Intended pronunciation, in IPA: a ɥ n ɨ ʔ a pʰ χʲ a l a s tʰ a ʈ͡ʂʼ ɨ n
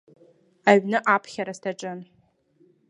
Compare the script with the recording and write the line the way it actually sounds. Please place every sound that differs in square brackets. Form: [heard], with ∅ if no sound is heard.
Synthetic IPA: a ɥ n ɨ ʔ a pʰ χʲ a [ɾ] a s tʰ a ʈ͡ʂʼ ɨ n